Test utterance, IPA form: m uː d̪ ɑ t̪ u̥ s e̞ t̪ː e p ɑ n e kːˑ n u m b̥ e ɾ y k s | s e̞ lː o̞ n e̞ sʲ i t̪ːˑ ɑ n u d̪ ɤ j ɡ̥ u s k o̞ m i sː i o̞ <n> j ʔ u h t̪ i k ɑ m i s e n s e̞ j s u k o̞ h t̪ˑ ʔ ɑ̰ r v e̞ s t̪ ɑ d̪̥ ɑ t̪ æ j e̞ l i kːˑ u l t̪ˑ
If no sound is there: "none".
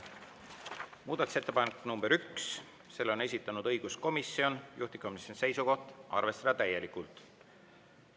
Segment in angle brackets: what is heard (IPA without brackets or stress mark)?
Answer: n